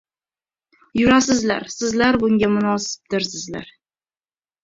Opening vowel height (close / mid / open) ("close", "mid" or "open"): close